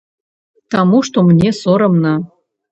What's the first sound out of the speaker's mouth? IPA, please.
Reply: t̪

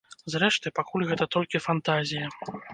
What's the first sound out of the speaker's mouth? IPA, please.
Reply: z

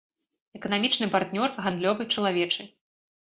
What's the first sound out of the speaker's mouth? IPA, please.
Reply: ɛ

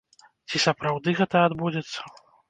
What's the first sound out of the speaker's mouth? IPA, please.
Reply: t͡sʲ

